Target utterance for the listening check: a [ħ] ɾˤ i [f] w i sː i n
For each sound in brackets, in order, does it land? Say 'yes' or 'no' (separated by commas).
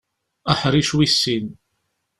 yes, no